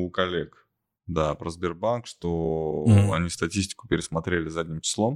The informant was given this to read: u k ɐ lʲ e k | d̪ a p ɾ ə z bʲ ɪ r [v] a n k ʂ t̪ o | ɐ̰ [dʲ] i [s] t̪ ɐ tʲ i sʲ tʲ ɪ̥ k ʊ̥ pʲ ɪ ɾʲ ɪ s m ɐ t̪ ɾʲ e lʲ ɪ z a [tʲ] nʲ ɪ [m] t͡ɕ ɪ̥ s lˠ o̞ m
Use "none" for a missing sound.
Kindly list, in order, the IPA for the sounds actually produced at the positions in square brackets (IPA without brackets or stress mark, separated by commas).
b, nʲ, s, dʲ, m